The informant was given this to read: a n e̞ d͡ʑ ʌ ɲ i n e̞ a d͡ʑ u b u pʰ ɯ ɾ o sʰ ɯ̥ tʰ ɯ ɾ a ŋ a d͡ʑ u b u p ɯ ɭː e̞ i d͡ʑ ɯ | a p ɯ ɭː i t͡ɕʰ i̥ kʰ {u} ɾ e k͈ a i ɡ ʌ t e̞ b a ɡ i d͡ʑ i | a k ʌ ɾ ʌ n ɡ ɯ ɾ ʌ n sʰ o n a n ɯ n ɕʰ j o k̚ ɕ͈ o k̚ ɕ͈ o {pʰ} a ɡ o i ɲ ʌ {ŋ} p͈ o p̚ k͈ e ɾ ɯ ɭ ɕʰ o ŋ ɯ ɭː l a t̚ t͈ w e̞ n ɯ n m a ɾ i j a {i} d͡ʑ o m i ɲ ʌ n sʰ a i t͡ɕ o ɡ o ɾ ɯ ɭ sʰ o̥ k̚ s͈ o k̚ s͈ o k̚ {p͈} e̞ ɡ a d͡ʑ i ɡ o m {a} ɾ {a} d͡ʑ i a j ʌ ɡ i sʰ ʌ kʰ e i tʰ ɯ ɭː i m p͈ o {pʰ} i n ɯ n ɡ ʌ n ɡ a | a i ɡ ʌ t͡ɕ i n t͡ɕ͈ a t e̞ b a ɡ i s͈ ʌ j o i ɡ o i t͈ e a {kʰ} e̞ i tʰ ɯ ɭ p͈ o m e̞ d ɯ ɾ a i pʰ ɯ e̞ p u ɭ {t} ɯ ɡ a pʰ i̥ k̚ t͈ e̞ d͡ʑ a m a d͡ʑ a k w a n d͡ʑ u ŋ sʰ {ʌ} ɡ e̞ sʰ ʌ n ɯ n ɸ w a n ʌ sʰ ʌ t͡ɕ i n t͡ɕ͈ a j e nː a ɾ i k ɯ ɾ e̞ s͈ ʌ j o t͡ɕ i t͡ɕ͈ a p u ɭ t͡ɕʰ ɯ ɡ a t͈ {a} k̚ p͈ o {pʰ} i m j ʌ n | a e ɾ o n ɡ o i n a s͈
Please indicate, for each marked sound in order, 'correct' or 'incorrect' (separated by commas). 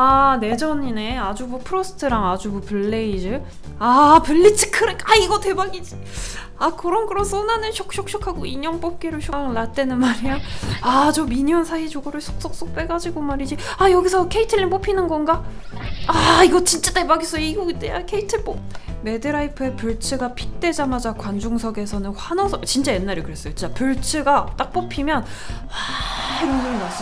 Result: incorrect, incorrect, correct, incorrect, correct, correct, incorrect, correct, correct, incorrect, correct, correct, correct